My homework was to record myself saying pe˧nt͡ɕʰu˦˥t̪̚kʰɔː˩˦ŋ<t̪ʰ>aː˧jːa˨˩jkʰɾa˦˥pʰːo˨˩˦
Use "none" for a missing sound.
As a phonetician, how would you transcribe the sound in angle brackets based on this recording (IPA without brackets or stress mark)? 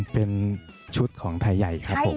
t̪ʰ